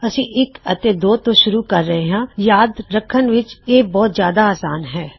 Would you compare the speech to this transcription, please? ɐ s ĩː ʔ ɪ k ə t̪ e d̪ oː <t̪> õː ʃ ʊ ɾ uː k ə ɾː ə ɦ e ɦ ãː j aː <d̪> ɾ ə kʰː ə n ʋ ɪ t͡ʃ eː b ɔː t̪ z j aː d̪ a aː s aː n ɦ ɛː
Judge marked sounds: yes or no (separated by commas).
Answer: yes, yes